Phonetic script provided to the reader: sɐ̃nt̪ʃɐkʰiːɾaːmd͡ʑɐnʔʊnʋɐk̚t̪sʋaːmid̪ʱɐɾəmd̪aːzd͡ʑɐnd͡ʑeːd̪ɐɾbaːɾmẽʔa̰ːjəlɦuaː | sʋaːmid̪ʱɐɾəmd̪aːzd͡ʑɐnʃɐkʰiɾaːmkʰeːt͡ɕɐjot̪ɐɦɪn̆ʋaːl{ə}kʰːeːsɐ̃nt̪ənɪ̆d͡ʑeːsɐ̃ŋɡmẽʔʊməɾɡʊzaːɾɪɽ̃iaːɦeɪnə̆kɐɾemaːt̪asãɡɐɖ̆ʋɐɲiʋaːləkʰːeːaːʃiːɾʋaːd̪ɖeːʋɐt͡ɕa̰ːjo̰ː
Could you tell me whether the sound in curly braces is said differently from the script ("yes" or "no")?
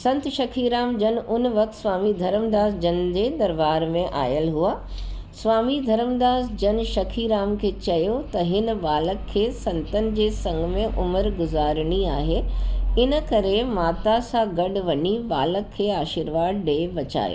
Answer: no